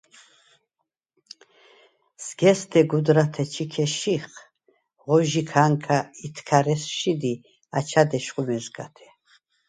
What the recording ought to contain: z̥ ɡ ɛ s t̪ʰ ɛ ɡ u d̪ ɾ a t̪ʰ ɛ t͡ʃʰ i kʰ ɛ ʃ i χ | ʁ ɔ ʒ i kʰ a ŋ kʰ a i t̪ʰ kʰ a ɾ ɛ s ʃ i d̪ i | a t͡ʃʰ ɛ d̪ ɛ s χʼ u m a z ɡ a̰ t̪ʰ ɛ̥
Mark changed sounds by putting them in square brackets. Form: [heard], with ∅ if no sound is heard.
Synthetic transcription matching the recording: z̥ ɡ ɛ s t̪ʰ ɛ ɡ u d̪ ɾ a t̪ʰ ɛ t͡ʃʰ i kʰ ɛ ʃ i χ | ʁ ɔ ʒ i kʰ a ŋ kʰ a i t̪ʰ kʰ a ɾ ɛ s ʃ i d̪ i | a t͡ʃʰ [a] d̪ ɛ [ʃ] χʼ u m [ɛ] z ɡ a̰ t̪ʰ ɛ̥